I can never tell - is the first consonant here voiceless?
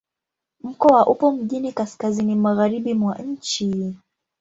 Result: no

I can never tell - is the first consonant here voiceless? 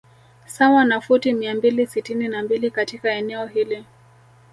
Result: yes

